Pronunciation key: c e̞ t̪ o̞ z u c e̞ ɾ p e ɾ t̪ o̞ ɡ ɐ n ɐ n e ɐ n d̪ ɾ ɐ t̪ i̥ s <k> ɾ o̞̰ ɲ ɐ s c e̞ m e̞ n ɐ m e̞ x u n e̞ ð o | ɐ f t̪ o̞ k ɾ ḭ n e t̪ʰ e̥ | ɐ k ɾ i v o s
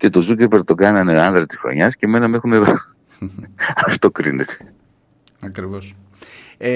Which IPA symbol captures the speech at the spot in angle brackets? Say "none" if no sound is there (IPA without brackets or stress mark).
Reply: x